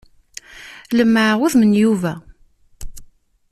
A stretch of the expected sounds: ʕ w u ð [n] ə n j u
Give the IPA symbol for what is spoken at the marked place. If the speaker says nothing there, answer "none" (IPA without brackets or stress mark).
m